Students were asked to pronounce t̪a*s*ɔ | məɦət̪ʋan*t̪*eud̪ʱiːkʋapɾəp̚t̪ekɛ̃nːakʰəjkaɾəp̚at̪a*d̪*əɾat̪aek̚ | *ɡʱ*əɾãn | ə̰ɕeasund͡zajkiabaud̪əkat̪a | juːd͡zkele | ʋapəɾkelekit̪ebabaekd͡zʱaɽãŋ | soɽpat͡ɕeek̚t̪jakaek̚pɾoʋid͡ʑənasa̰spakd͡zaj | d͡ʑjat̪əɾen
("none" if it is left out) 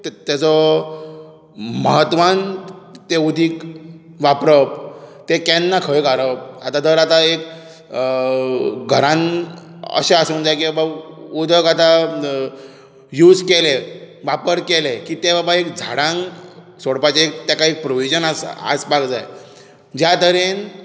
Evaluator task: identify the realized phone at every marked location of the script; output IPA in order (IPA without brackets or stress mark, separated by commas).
t͡s, t̪, d̪, ɡʱ